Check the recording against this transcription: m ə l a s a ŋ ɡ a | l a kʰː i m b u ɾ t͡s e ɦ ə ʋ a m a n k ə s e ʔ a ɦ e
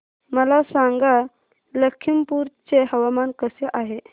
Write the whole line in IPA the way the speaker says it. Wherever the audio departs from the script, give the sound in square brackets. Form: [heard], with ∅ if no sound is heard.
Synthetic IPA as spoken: m ə l a s a ŋ ɡ a | l [ə] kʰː i m [p] u ɾ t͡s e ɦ ə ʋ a m a n k ə s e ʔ a ɦ e